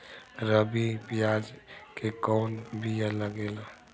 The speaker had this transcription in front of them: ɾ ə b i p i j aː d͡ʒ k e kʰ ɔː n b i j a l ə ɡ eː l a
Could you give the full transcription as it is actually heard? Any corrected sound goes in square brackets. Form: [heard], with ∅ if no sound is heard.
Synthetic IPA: ɾ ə b i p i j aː d͡ʒ k e [k] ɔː n b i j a l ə ɡ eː l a